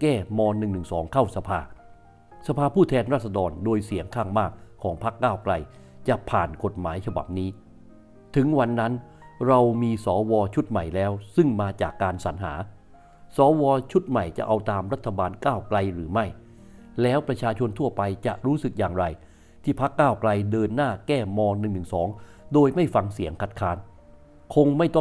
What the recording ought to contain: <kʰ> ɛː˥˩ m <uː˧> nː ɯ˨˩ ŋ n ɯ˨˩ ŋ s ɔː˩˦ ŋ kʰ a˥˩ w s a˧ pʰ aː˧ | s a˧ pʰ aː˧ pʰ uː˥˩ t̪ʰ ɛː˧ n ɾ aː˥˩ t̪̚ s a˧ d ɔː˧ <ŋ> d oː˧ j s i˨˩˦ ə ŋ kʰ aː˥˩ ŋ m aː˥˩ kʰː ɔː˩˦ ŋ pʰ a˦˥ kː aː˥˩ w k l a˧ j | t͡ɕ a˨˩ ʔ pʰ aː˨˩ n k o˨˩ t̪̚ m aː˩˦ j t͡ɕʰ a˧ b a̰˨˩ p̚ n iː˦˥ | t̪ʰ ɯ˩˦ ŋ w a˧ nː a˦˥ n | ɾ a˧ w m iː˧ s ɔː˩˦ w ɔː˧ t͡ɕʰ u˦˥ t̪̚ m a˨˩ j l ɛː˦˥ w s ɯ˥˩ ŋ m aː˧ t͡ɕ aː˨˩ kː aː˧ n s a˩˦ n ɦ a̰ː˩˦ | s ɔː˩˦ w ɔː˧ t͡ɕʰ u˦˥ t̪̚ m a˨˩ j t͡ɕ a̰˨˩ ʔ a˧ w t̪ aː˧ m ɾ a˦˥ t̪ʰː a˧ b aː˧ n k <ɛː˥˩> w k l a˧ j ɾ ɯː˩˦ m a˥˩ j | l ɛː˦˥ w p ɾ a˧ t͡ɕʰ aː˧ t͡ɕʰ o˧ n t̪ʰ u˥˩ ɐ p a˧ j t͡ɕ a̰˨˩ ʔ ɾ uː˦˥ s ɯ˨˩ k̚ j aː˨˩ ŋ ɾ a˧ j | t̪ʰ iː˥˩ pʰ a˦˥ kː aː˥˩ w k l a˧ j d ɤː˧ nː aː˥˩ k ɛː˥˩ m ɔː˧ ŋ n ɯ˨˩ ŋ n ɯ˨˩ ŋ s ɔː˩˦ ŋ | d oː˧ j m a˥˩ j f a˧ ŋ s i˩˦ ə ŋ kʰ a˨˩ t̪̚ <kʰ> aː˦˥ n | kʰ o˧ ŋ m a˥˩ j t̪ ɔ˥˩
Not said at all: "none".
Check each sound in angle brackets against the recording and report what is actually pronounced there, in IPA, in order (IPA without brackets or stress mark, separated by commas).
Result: k, ɔː˧, n, aː˥˩, kʰ